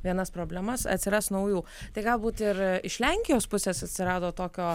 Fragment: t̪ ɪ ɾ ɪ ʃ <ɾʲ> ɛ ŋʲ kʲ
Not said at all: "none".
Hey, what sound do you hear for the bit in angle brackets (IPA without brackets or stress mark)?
lʲ